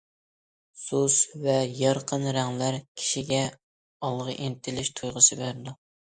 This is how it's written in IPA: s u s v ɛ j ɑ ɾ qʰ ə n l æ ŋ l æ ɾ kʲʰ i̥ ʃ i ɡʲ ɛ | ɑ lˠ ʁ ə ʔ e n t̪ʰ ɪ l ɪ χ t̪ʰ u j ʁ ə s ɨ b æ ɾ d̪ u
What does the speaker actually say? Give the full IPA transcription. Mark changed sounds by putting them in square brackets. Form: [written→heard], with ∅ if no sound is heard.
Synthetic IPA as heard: s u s v ɛ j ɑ ɾ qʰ ə n [l→ɾ] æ ŋ l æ ɾ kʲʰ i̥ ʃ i ɡʲ ɛ | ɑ lˠ ʁ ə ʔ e n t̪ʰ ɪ l ɪ [χ→ʃ] t̪ʰ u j ʁ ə s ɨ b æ ɾ d̪ u